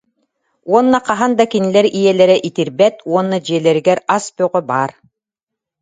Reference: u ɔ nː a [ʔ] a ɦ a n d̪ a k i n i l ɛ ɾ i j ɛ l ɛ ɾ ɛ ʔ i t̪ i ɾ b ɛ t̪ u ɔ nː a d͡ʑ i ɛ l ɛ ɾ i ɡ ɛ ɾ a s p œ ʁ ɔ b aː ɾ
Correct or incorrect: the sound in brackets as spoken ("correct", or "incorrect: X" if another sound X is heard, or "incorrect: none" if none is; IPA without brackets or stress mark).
incorrect: q